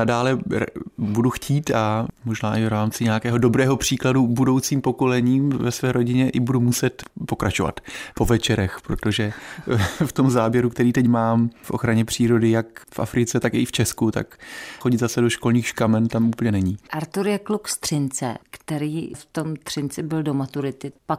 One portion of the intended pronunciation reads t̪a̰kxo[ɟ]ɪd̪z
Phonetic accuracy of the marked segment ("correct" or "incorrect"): correct